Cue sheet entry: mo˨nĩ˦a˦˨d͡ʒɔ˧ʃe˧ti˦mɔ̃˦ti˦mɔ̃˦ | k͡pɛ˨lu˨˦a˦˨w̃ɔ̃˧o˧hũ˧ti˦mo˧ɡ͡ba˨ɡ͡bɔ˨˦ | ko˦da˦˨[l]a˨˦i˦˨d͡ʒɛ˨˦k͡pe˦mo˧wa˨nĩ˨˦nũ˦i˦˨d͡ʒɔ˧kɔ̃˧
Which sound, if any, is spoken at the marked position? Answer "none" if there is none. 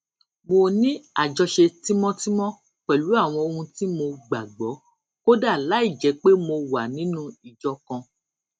l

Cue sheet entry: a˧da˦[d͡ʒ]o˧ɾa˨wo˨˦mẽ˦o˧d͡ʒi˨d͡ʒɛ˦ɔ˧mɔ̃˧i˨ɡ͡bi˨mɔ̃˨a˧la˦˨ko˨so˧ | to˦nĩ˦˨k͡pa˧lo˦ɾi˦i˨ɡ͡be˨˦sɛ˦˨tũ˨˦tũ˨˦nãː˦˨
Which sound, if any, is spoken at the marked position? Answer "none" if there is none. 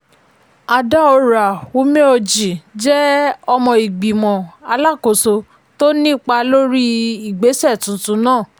none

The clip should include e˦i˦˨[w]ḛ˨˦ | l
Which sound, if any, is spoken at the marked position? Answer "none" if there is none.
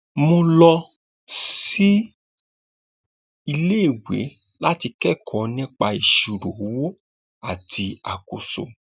w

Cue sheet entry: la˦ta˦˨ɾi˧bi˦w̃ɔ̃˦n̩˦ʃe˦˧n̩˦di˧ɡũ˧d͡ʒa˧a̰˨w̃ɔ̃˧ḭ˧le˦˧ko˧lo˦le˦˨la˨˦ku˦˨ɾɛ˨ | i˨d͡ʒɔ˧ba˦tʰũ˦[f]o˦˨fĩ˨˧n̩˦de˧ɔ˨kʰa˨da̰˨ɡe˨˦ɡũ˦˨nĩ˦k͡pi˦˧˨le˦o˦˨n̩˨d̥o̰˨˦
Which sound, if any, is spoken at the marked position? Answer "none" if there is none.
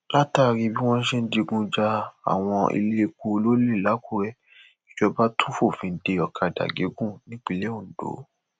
f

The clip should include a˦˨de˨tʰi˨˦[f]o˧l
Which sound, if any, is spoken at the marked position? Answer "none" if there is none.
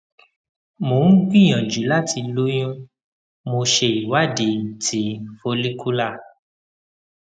f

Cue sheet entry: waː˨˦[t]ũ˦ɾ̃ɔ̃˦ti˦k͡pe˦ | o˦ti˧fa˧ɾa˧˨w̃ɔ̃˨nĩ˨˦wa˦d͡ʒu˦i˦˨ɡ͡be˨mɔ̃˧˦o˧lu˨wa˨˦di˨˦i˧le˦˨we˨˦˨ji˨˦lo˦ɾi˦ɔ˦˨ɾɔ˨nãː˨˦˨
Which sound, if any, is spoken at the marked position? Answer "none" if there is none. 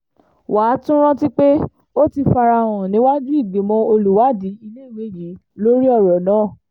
t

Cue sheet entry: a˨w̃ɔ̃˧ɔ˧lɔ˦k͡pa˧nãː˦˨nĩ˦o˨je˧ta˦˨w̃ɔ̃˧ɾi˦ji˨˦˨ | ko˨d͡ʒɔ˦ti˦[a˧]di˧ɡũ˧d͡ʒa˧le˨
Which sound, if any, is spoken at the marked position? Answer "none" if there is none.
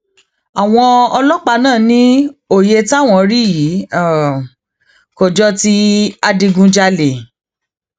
a˧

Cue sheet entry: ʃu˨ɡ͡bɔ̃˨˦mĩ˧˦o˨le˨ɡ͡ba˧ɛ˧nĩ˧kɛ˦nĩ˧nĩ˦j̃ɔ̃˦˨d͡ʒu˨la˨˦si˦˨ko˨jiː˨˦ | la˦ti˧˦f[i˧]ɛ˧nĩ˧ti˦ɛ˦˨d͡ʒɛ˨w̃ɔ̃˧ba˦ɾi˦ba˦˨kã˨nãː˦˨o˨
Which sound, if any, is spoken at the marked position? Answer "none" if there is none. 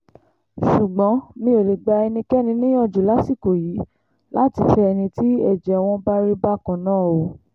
ɛ˧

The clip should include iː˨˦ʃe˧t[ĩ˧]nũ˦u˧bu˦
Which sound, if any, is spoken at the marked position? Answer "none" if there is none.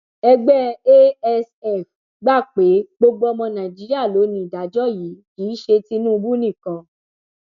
i˧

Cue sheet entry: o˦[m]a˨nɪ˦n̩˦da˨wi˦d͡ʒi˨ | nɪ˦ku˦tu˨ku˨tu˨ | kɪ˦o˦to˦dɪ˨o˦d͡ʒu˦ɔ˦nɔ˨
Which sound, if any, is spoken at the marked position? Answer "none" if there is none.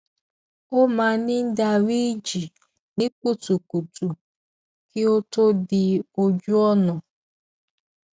m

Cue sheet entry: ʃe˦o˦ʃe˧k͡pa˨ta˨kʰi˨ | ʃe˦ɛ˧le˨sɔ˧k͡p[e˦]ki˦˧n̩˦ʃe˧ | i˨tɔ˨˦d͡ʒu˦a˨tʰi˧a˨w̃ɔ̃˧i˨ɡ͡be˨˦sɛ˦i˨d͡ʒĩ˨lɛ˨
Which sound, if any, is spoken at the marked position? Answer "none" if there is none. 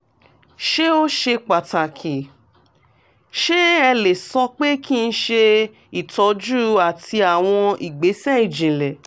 e˦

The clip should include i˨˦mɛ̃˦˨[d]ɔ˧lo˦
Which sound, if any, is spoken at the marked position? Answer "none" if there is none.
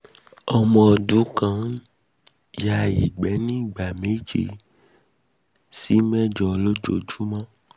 d͡ʒ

